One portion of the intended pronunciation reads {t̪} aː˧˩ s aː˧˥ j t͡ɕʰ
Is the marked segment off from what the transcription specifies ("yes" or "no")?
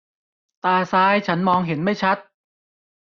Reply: no